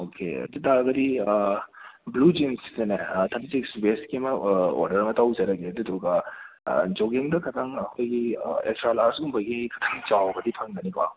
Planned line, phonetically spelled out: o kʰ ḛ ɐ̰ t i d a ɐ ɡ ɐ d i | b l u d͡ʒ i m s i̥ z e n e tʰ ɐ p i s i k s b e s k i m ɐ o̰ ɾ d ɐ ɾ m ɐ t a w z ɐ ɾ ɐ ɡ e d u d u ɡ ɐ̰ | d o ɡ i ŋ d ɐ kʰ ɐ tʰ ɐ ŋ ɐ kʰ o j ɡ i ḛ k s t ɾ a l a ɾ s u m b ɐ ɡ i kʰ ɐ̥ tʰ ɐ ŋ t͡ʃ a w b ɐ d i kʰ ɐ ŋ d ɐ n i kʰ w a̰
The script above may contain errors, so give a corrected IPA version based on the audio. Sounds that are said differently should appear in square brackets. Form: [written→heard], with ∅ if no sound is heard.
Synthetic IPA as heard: o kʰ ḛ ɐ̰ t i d a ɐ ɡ ɐ d i | b l u d͡ʒ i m s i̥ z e n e tʰ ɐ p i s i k s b e s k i m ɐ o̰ ɾ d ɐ ɾ m ɐ t a w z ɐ ɾ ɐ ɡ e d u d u ɡ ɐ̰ | [d→d͡ʒ] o ɡ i ŋ d ɐ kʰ ɐ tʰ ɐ ŋ ɐ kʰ o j ɡ i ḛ k s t ɾ a l a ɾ s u m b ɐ ɡ i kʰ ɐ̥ tʰ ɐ ŋ t͡ʃ a w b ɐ d i [kʰ→pʰ] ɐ ŋ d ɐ n i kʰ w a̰